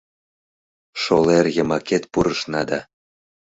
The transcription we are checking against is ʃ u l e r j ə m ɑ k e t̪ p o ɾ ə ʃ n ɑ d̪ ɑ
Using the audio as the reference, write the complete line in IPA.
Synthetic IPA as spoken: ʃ o l e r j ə m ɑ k e t̪ p u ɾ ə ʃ n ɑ d̪ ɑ

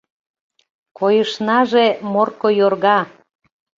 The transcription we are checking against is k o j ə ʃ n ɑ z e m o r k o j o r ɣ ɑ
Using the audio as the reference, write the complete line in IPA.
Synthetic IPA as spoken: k o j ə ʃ n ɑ ʒ e m o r k o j o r ɣ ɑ

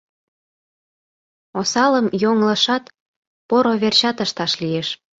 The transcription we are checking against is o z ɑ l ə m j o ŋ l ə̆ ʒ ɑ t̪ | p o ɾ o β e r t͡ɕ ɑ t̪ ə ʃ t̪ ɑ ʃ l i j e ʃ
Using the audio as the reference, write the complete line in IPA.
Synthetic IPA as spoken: o s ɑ l ə m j o ŋ l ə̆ ʃ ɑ t̪ | p o ɾ o β e r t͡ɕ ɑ t̪ ə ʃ t̪ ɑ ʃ l i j e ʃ

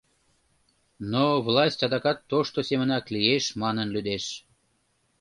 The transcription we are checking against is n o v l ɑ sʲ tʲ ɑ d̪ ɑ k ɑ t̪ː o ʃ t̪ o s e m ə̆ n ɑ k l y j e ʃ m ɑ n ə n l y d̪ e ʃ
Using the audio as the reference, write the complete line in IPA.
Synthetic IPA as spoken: n o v l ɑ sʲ tʲ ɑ d̪ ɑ k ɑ t̪ː o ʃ t̪ o s e m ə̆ n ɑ k l i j e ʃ m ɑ n ə n l y d̪ e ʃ

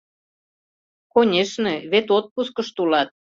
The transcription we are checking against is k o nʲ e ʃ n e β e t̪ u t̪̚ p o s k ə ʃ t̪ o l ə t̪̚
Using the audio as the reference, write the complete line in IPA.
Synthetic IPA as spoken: k o nʲ e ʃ n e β e t̪ o t̪̚ p u s k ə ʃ t̪ u l ɑ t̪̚

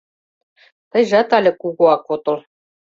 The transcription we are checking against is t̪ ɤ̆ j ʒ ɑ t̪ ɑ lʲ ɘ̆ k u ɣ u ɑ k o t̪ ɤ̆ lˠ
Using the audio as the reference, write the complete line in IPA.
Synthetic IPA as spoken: t̪ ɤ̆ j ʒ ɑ t̪ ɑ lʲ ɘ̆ k u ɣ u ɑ k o t̪ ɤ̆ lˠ

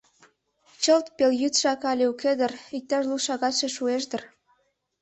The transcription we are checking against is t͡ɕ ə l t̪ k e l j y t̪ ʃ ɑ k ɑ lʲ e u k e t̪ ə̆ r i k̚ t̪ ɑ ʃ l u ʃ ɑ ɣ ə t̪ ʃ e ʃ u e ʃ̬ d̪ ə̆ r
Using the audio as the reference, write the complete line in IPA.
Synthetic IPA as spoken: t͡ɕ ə l t̪ p e l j y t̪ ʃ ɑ k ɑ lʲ e u k e d̪ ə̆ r i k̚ t̪ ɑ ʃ l u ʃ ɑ ɣ ɑ t̪ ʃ e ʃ u e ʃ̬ d̪ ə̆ r

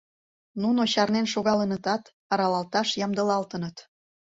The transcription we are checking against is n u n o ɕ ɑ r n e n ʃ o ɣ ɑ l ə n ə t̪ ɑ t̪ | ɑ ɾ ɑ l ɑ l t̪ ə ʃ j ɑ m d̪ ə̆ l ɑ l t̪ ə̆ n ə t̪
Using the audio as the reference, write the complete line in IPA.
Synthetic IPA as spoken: n u n o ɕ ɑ r n e n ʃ o ɣ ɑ l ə n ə t̪ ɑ t̪ | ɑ ɾ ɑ l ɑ l t̪ ɑ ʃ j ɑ m d̪ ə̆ l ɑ l t̪ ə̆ n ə t̪

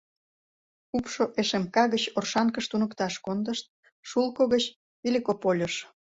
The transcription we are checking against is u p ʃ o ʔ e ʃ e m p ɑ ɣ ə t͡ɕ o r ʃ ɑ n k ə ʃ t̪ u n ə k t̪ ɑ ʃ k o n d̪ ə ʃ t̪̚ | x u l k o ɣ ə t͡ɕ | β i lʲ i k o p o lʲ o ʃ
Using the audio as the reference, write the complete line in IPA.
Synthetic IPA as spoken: u p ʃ o ʔ e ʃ e m k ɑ ɣ ə t͡ɕ o r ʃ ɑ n k ə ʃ t̪ u n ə k t̪ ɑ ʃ k o n d̪ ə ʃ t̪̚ | ʃ u l k o ɣ ə t͡ɕ | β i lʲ i k o p o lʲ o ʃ

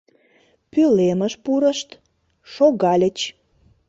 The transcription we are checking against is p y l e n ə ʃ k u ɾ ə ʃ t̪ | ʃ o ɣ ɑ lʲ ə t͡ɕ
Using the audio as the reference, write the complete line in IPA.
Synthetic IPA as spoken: p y l e m ə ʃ p u ɾ ə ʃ t̪ | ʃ o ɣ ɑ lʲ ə t͡ɕ

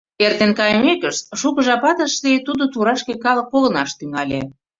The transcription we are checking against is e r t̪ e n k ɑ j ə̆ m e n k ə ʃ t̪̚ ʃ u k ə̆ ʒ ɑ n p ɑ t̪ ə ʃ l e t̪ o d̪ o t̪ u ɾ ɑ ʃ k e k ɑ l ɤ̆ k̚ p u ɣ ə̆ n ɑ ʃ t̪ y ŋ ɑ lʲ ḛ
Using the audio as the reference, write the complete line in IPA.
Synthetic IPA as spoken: e r t̪ e n k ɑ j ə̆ m e k ə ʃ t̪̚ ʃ u k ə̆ ʒ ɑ p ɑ t̪ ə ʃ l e t̪ u d̪ o t̪ u ɾ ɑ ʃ k e k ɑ l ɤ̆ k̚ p o ɣ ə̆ n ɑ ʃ t̪ y ŋ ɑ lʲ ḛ

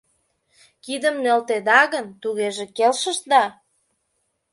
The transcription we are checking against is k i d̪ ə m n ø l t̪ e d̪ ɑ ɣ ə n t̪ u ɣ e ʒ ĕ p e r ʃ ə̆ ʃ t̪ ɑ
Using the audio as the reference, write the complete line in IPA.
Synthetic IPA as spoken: k i d̪ ə m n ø l t̪ e d̪ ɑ ɣ ə n t̪ u ɣ e ʒ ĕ k e l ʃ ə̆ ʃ d̪ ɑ

